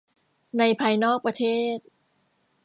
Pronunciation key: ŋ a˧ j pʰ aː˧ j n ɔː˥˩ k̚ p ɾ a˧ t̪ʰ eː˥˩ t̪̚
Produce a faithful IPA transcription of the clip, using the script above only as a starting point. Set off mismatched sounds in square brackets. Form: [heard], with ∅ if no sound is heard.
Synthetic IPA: [n] a˧ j pʰ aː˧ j n ɔː˥˩ k̚ p ɾ a˧ t̪ʰ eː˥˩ t̪̚